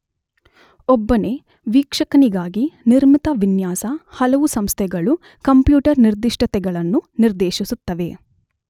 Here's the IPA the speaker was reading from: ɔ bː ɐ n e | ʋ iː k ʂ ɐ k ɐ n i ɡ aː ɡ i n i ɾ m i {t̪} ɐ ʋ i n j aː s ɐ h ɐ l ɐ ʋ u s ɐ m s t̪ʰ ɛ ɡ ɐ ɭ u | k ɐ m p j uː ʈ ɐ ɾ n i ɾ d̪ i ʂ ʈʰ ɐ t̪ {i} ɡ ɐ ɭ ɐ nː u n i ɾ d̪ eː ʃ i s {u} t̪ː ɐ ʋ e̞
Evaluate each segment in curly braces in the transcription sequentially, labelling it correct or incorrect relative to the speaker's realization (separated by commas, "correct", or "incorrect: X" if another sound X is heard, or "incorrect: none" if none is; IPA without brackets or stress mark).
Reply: correct, incorrect: ɛ, correct